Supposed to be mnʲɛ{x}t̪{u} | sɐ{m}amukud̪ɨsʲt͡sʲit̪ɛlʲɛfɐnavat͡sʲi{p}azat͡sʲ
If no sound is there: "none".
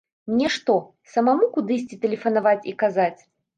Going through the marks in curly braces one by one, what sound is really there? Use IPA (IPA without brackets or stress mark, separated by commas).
ʂ, ɔ, m, k